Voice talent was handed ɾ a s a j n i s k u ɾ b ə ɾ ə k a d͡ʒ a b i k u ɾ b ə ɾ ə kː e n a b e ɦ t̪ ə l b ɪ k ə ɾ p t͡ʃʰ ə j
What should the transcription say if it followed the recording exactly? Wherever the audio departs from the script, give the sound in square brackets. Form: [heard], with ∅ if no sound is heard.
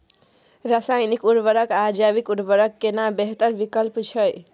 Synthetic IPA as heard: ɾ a s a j n i [∅] k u ɾ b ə ɾ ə k a d͡ʒ a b i k u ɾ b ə ɾ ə kː e n a b e ɦ t̪ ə [ɾ] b [i] k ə [l] p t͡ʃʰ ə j